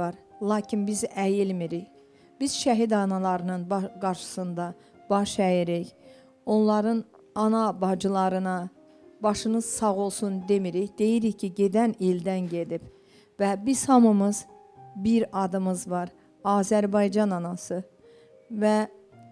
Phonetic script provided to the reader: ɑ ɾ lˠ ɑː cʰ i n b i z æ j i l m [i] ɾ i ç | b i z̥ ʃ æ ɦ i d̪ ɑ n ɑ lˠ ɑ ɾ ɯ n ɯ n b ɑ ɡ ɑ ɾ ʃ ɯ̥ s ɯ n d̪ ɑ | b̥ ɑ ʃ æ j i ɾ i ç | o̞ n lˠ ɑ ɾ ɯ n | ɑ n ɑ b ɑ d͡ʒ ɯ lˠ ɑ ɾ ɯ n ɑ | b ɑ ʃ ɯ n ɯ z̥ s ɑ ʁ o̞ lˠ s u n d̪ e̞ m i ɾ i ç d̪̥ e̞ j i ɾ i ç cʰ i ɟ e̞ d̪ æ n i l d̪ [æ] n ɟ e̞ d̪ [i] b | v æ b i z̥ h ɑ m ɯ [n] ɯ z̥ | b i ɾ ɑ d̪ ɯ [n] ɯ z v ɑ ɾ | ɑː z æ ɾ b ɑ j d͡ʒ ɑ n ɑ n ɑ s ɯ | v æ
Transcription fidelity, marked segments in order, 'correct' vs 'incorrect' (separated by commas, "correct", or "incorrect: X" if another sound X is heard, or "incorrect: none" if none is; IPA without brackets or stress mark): correct, correct, correct, incorrect: m, incorrect: m